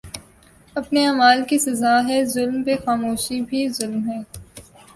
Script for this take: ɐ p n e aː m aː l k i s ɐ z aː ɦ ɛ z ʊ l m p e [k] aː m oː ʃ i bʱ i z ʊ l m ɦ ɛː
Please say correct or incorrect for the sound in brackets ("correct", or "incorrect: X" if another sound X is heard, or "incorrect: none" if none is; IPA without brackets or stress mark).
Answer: incorrect: x